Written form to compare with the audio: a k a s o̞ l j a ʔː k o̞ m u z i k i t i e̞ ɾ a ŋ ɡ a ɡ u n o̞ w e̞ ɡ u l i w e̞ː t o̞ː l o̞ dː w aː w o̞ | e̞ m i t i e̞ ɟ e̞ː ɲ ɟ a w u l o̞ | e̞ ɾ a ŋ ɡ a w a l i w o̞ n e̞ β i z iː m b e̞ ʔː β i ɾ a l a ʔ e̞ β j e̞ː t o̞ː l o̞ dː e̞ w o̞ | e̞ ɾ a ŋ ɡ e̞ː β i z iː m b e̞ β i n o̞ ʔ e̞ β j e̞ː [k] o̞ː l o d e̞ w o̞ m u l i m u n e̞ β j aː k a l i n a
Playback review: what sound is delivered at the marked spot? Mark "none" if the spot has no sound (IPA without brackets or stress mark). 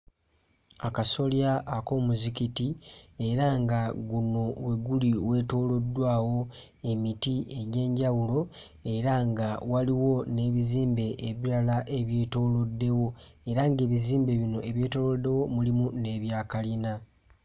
t